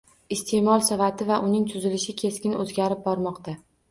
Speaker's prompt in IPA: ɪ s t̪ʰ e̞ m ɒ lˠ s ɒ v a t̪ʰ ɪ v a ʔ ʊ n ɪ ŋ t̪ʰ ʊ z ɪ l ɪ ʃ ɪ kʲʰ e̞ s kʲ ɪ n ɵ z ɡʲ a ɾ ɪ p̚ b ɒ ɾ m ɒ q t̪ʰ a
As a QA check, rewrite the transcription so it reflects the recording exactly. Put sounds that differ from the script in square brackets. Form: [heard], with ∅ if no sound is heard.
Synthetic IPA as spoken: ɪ s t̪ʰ e̞ m ɒ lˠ s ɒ v a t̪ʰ ɪ v a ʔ ʊ n ɪ ŋ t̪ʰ ʊ z ɪ l ɪ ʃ ɪ kʲʰ e̞ s kʲ ɪ n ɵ z ɡʲ a ɾ ɪ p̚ b ɒ ɾ m ɒ q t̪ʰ a